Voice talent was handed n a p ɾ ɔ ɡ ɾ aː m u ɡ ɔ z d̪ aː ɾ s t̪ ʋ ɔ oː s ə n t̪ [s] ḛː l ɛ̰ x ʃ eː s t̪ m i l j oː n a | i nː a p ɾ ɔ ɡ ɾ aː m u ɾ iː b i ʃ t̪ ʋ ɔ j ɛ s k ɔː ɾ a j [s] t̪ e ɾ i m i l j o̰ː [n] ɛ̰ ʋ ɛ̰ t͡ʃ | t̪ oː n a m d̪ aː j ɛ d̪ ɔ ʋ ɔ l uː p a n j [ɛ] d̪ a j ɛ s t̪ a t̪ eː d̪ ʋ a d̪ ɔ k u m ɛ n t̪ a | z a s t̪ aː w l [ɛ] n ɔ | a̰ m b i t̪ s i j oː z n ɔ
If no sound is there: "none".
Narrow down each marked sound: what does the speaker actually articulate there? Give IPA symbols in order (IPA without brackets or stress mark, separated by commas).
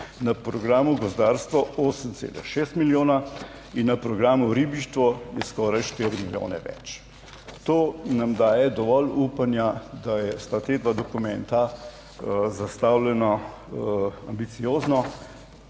s, ʃ, n, a, ɛ